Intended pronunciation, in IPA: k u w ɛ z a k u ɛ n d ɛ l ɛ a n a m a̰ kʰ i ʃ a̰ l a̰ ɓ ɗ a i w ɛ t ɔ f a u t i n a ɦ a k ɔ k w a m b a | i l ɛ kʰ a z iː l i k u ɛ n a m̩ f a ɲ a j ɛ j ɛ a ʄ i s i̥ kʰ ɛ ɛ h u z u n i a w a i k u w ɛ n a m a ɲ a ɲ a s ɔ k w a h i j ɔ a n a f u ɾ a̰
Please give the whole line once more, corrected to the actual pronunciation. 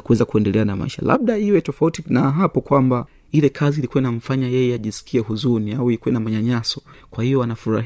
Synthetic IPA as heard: k u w ɛ z a k u ɛ n d ɛ l ɛ a n a m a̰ i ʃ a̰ l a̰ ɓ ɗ a i w ɛ t ɔ f a u t i n a ɦ a p ɔ k w a m b a | i l ɛ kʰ a z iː l i k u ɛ n a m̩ f a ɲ a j ɛ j ɛ a ʄ i s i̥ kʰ i ɛ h u z u n i a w i i k u w ɛ n a m a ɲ a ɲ a s ɔ k w a h i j ɔ a n a f u ɾ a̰